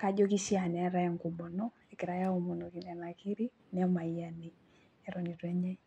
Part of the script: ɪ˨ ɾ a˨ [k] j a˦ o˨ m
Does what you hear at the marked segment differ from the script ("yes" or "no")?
yes